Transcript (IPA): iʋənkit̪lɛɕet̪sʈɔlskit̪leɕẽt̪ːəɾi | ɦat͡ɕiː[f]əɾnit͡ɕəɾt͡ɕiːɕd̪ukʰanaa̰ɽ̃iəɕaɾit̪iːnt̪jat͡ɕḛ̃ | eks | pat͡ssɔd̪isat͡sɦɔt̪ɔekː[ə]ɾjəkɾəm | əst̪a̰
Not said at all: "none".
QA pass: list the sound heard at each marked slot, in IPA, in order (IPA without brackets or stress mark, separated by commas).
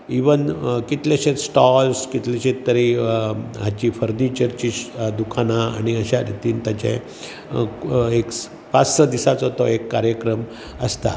f, a